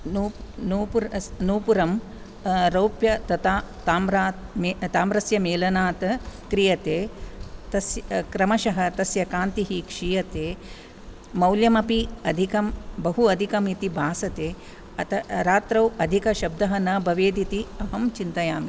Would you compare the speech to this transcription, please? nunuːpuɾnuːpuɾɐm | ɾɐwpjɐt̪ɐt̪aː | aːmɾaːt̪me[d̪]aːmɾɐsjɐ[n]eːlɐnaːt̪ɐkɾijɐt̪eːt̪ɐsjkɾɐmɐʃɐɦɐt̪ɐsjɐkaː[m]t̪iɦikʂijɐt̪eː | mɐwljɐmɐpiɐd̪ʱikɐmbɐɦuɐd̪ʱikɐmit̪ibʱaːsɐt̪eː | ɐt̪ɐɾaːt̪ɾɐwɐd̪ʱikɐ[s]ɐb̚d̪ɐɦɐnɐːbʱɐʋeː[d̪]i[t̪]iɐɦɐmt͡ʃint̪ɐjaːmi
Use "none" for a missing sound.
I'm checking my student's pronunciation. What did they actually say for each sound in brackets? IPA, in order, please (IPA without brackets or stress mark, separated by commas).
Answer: t̪, m, n, ʃ, d̪, t̪